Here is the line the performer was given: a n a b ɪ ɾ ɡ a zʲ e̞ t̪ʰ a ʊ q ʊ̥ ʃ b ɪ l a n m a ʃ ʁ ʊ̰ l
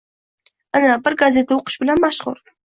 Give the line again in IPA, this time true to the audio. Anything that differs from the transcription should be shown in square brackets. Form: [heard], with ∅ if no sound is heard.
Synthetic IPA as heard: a n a b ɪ ɾ ɡ a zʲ e̞ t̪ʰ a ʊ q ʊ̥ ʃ b ɪ l a n m a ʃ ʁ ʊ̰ [ɾ]